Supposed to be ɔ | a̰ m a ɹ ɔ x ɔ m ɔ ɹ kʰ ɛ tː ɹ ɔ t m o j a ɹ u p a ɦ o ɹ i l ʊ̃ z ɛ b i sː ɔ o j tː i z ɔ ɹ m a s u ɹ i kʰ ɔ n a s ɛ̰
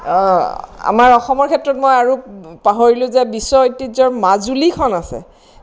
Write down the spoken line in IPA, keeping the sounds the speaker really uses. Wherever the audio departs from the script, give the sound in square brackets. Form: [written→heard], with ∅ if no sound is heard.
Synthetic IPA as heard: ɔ | a̰ m a ɹ ɔ x ɔ m ɔ ɹ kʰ ɛ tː ɹ ɔ t m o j a ɹ u p a ɦ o ɹ i l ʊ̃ z ɛ b i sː ɔ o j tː i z ɔ ɹ m a [s→z] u [ɹ→l] i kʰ ɔ n a s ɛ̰